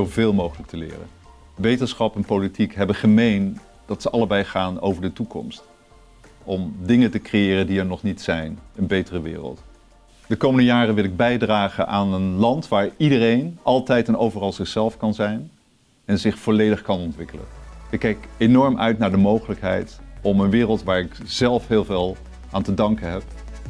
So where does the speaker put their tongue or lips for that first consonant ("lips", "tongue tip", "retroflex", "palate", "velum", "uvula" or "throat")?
lips